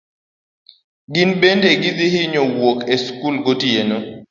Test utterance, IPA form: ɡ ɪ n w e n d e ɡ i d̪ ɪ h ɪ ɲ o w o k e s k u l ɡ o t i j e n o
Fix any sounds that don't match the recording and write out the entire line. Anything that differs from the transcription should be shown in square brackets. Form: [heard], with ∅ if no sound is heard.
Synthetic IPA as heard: ɡ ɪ n [b] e n d e ɡ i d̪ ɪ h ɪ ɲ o w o k e s k u l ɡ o t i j e n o